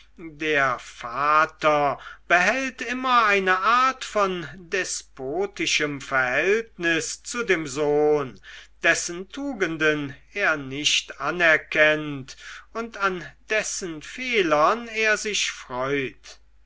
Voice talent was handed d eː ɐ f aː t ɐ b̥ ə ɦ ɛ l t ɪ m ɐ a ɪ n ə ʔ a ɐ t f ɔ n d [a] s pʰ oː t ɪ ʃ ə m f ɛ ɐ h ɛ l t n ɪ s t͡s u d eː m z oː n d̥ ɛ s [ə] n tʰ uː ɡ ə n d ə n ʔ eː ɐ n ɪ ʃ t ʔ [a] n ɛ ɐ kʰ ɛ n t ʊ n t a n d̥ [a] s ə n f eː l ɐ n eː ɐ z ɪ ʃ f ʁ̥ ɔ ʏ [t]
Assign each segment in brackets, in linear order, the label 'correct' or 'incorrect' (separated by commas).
incorrect, correct, correct, incorrect, correct